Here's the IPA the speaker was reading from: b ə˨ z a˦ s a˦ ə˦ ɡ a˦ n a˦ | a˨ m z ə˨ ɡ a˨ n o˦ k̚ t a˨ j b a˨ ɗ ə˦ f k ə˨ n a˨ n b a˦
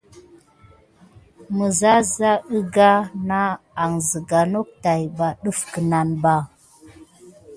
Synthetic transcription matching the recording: m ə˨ z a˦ z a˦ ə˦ ɡ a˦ n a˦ | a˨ ŋ z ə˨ ɡ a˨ n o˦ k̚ t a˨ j b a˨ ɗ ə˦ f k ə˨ n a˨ n b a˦